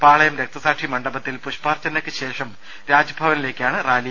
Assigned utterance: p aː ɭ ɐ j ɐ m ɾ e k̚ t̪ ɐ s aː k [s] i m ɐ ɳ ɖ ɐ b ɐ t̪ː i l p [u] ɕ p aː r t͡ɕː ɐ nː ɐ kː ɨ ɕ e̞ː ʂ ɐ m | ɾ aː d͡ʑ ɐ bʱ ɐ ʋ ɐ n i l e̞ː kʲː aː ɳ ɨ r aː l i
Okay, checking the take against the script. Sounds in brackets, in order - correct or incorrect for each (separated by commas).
incorrect, correct